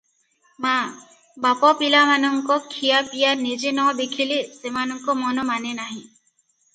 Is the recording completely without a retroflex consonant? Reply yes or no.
yes